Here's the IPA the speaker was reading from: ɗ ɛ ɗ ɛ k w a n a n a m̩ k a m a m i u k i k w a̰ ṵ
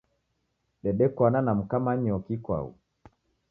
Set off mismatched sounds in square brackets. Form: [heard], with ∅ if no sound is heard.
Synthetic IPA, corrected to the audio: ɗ ɛ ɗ ɛ k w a n a n a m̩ k a m a [ɲ] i [ɔ] k i k w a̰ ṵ